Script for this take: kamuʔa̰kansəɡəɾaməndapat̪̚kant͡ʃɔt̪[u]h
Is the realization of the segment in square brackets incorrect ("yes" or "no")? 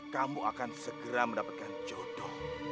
yes